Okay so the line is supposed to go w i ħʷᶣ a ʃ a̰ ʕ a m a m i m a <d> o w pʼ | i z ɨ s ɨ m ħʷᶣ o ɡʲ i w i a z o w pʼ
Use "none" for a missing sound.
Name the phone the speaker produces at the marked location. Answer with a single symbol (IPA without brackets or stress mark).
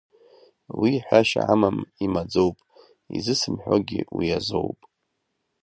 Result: d͡z